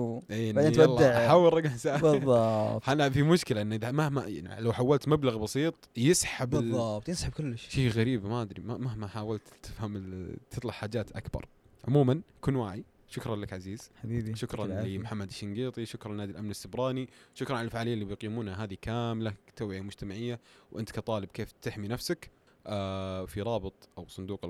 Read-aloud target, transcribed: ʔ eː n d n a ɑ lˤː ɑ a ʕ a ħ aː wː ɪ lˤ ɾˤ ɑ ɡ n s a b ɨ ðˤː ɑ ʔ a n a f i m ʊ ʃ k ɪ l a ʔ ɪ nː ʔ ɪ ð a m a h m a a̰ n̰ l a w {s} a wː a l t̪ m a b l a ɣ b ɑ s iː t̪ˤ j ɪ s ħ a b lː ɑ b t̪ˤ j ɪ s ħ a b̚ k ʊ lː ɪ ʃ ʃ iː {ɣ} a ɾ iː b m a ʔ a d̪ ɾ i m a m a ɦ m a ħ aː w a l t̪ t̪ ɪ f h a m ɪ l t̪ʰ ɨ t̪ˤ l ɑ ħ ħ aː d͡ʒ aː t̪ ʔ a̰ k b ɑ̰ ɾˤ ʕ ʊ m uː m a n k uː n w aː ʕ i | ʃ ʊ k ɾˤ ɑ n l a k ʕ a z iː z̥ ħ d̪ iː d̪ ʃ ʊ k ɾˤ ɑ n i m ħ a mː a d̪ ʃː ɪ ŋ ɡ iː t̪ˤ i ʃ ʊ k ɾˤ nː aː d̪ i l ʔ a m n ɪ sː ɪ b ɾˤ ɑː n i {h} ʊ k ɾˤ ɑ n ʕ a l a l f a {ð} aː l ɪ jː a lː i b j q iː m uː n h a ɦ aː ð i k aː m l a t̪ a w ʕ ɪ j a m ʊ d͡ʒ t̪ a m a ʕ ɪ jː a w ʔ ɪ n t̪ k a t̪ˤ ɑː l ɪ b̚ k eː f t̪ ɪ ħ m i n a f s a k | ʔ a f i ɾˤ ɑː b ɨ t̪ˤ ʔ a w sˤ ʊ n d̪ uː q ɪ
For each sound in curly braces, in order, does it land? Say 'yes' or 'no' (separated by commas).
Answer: no, yes, no, no